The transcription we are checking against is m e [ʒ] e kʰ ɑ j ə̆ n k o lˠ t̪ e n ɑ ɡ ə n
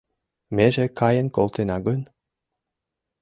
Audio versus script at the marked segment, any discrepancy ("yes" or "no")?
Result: no